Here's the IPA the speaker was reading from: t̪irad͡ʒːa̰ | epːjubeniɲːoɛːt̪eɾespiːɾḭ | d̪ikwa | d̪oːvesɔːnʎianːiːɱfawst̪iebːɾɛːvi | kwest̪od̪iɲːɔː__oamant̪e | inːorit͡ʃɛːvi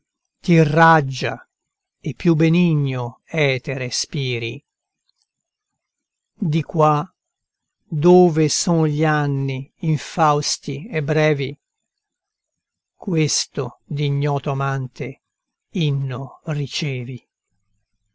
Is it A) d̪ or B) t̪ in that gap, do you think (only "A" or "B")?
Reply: B